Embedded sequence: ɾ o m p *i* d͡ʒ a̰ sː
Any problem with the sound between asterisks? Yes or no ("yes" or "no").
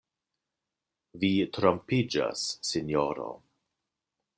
no